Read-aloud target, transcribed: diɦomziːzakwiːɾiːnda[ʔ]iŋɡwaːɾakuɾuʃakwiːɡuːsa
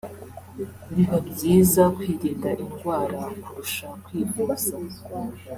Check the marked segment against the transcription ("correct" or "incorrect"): correct